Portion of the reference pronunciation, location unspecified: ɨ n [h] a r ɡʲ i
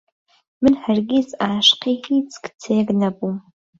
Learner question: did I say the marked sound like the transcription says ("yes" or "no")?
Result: no